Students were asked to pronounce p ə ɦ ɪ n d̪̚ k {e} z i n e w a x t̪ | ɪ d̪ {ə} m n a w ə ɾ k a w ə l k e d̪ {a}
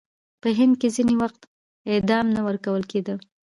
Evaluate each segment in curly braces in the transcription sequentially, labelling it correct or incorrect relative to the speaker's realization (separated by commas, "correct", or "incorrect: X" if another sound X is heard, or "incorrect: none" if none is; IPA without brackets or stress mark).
correct, incorrect: ɑ, incorrect: ə